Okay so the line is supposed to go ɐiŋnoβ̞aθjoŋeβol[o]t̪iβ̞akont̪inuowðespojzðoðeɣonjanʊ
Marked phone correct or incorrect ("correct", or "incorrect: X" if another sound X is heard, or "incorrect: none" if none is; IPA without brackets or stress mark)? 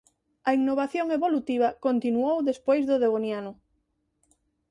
incorrect: u